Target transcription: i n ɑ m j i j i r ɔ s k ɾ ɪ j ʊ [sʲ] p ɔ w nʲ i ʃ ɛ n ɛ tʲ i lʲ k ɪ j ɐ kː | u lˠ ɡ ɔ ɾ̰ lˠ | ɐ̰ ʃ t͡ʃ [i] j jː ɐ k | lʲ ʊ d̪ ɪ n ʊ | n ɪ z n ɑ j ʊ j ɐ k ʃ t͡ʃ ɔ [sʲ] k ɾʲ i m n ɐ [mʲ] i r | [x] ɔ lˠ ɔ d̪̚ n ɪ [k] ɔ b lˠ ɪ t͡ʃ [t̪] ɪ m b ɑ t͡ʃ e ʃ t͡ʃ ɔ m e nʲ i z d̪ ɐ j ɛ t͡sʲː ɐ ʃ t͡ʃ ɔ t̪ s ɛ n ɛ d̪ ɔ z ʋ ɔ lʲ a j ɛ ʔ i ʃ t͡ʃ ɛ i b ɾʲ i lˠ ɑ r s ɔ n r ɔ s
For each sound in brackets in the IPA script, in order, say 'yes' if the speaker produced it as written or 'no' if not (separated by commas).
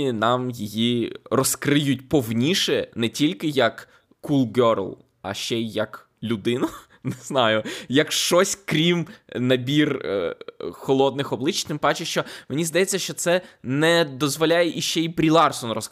no, no, yes, no, yes, no, yes